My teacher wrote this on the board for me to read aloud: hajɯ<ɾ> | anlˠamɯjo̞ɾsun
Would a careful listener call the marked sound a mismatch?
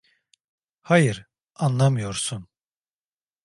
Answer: no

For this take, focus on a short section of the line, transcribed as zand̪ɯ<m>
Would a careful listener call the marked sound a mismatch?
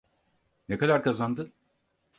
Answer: yes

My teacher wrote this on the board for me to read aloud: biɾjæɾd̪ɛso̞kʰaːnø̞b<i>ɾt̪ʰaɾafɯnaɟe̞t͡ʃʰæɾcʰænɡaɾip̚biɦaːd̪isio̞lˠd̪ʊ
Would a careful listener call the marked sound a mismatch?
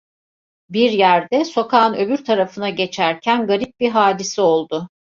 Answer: yes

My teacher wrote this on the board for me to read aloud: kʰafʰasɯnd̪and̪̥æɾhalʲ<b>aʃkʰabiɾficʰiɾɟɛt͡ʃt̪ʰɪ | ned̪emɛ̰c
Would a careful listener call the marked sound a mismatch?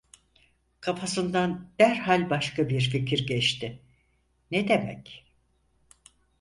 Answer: no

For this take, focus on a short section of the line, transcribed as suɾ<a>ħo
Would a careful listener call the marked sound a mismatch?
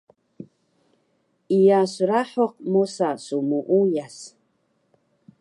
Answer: no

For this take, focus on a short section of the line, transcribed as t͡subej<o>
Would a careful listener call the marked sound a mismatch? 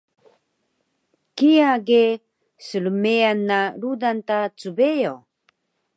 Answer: no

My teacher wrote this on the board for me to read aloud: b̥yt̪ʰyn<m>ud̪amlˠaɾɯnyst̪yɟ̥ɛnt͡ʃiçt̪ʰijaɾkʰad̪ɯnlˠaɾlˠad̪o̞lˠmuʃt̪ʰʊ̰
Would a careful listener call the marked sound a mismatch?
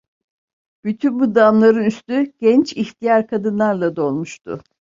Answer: yes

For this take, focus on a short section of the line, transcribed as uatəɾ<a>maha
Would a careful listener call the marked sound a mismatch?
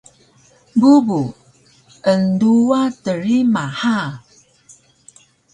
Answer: yes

